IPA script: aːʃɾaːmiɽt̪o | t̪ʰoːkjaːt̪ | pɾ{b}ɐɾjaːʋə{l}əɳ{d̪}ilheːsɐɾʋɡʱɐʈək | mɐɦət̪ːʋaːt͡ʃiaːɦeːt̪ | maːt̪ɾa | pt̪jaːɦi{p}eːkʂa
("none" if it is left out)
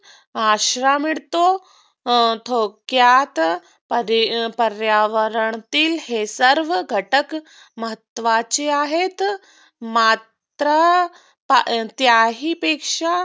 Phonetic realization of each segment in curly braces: p, ɾ, t̪, p

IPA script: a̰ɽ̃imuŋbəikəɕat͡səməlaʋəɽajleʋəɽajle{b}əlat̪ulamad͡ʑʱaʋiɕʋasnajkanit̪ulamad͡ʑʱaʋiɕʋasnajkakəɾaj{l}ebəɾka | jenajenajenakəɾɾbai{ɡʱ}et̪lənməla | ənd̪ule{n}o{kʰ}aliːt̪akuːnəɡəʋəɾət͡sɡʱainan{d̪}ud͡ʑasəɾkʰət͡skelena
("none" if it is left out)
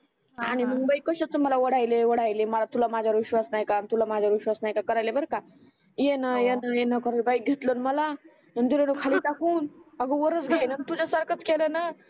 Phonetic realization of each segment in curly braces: m, l, ɡʱ, n, kʰ, t̪

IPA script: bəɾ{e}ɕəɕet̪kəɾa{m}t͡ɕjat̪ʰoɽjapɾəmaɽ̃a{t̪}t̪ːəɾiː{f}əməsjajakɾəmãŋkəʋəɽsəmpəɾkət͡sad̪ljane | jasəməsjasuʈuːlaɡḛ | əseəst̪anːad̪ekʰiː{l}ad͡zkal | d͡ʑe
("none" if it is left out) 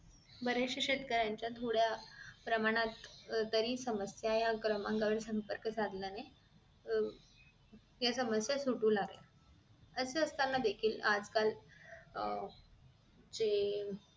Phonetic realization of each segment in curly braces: e, ɲ, t̪, s, l

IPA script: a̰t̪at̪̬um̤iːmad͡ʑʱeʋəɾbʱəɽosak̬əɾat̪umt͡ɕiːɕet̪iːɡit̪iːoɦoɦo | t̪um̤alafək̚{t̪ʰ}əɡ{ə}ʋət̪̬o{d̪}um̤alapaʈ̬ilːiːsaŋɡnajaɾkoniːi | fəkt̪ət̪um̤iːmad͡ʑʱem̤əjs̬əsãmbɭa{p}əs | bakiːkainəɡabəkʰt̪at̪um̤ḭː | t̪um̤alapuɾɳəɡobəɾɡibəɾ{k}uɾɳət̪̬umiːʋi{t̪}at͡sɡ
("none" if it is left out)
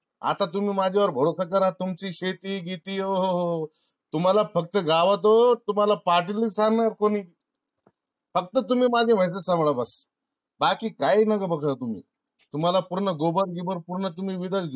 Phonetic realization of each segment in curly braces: t̪, a, t̪, b, p, d̪

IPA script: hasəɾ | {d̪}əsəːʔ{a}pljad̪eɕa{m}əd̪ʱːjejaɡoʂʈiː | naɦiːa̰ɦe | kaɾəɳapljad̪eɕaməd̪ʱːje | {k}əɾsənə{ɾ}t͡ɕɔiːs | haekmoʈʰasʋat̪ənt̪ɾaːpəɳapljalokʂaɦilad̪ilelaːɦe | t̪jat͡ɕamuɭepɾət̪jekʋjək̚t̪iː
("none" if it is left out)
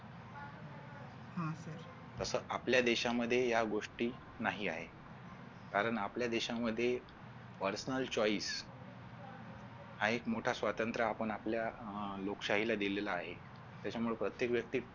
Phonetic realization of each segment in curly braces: t̪, a, m, p, l

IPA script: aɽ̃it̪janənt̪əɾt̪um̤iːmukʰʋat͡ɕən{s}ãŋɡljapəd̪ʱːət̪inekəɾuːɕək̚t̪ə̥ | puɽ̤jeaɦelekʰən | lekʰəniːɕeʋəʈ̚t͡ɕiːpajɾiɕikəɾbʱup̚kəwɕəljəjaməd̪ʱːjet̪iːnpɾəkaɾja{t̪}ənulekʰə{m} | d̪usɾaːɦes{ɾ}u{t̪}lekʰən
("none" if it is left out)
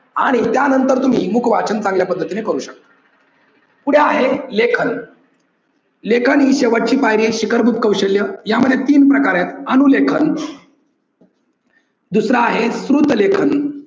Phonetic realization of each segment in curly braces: t͡s, t̪, n, ɾ, t̪

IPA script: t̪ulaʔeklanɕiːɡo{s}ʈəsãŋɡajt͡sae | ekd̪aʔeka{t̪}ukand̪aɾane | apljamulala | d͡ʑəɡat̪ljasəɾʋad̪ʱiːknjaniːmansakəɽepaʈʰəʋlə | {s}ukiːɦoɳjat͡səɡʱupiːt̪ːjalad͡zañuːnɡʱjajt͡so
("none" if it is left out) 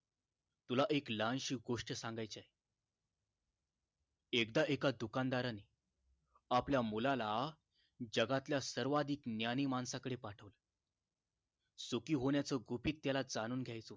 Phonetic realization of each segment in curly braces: ʂ, d̪, s

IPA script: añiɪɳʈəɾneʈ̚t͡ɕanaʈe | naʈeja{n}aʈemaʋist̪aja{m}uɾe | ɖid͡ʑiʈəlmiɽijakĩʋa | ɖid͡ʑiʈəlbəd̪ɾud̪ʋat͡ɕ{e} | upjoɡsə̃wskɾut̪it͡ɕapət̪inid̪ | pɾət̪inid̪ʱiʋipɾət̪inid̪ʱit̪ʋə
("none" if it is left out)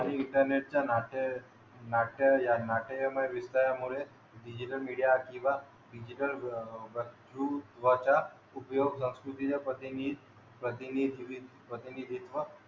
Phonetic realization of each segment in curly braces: n, m, a

